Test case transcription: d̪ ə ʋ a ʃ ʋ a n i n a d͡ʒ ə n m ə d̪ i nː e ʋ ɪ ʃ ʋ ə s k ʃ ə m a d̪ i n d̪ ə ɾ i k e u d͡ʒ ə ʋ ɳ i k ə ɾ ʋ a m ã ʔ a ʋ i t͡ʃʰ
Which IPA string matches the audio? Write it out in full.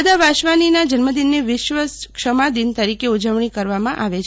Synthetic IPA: d̪ a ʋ a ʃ ʋ a n i n a d͡ʒ ə n m ə d̪ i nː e ʋ ɪ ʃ ʋ ə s k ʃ ə m a d̪ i n t̪ ə ɾ i k e u d͡ʒ ə ʋ ɳ i k ə ɾ ʋ a m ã ʔ a ʋ e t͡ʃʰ